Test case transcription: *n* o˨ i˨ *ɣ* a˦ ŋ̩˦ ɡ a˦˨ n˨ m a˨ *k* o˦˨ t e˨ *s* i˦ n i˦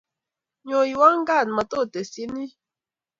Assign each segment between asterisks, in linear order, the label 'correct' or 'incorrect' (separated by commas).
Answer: incorrect, incorrect, incorrect, correct